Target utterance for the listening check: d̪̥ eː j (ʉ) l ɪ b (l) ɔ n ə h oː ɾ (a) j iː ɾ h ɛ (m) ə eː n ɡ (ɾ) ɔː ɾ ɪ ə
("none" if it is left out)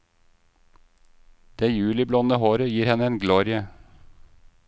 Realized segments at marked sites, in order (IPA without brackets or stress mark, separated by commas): ʉː, l, ə, n, l